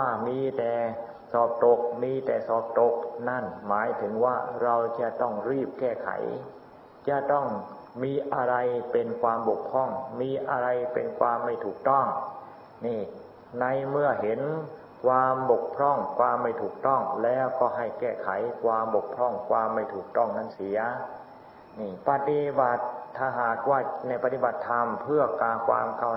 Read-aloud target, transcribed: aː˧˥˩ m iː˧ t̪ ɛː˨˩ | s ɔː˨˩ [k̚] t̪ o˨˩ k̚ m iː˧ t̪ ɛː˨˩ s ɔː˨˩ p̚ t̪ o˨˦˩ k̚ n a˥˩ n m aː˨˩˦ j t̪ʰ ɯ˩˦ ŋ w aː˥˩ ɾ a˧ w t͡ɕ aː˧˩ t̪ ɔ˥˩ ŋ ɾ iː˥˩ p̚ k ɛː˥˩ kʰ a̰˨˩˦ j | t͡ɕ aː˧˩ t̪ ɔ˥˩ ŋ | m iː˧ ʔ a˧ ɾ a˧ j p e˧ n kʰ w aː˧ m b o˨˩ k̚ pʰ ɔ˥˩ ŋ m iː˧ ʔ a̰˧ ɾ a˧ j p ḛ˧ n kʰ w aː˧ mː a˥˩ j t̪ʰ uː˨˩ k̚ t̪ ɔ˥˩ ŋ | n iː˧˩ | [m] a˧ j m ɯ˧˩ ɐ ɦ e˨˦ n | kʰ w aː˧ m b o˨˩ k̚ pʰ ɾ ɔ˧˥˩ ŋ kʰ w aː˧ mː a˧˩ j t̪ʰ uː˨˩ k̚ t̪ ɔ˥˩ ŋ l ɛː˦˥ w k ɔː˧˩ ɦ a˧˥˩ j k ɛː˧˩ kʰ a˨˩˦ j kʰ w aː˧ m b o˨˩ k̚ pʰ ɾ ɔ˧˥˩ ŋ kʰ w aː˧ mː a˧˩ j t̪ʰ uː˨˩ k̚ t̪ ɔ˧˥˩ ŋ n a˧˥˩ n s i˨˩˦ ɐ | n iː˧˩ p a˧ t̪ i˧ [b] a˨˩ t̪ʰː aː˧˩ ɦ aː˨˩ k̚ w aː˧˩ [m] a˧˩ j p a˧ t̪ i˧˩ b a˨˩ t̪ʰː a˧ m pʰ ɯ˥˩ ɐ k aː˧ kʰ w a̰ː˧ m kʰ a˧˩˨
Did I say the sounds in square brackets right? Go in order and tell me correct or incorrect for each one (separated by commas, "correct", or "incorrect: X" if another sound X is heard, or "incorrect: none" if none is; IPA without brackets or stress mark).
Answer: incorrect: p̚, incorrect: n, correct, incorrect: n